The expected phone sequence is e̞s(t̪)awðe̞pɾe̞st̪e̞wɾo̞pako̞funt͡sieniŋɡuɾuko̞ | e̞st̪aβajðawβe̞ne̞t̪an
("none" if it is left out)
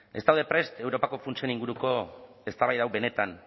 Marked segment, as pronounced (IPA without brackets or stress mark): t̪